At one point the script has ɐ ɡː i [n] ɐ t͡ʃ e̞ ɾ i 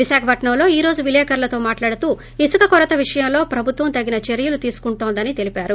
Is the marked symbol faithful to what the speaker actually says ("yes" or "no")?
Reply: yes